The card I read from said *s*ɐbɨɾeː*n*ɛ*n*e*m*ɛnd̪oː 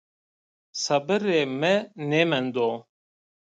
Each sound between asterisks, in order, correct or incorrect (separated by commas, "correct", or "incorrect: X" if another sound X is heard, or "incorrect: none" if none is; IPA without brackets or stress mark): correct, incorrect: m, correct, correct